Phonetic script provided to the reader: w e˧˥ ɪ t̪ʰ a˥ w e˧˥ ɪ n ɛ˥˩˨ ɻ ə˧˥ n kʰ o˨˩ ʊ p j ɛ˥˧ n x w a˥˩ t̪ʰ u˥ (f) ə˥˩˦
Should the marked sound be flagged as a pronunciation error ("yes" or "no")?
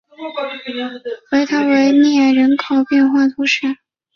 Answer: yes